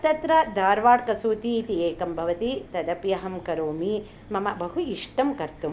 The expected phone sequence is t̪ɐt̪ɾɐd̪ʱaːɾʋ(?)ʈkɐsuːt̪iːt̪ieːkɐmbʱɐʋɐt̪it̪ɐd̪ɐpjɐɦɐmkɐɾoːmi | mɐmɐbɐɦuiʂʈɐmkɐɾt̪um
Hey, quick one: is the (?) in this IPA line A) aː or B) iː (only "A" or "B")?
A